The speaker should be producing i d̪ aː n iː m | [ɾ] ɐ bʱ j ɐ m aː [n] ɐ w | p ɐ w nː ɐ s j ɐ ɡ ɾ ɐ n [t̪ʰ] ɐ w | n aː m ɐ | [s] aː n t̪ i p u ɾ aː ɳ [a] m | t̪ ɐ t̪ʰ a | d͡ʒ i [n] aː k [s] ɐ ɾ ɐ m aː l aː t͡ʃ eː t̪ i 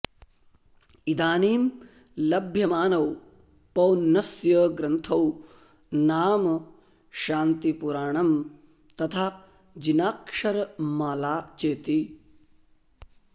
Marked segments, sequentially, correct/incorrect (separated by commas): incorrect, correct, correct, incorrect, incorrect, correct, incorrect